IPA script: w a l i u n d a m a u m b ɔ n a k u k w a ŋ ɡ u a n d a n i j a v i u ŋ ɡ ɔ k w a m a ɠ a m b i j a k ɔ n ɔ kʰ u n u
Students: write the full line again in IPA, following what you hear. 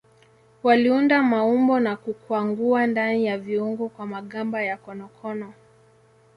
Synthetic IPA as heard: w a l i u n d a m a u m b ɔ n a k u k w a ŋ ɡ u a n d a n i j a v i u ŋ ɡ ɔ k w a m a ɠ a m b a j a k ɔ n ɔ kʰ ɔ n ɔ